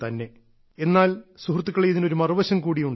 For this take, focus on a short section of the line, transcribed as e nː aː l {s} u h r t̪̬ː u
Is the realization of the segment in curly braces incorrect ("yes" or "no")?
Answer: no